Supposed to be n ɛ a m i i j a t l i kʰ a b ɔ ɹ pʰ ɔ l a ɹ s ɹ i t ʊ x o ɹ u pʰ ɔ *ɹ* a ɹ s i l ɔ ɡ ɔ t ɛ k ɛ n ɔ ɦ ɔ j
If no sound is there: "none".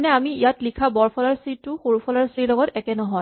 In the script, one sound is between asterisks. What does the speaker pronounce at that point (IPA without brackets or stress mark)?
l